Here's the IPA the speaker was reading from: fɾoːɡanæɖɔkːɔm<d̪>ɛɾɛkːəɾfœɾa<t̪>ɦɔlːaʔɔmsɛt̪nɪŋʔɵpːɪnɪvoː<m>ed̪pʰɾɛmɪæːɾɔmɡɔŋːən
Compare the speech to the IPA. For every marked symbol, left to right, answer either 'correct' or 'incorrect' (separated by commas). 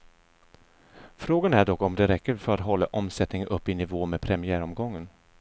correct, correct, correct